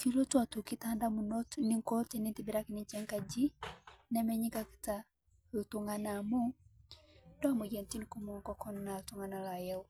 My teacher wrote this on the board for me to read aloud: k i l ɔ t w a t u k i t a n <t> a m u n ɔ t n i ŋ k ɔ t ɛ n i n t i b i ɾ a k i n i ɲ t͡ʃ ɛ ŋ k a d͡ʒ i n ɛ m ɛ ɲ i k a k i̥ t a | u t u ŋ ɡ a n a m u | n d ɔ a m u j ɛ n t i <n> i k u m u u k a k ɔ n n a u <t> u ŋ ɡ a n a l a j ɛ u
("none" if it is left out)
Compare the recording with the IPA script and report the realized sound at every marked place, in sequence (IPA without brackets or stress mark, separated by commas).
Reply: d, n, t